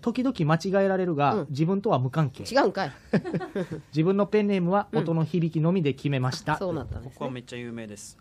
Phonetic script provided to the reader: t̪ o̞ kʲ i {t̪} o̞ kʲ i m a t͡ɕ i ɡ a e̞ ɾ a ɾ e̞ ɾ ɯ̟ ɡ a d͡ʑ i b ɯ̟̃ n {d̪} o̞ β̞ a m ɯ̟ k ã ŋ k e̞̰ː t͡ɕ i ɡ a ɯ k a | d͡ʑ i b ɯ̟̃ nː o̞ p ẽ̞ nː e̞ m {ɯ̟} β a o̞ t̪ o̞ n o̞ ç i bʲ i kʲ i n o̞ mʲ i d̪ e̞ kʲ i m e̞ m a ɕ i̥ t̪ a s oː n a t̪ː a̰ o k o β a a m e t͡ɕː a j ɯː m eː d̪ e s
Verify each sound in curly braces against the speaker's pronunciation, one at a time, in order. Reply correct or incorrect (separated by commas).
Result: incorrect, incorrect, correct